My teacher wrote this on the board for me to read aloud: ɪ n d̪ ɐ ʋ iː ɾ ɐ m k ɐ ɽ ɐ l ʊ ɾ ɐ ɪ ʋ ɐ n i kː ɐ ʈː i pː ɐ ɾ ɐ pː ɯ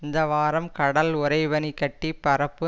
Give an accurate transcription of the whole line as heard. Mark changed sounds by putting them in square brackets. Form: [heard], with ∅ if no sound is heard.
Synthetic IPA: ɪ n d̪ ɐ ʋ [aː] ɾ ɐ m k ɐ ɽ ɐ l ʊ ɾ ɐ ɪ ʋ ɐ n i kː ɐ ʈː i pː ɐ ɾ ɐ pː ɯ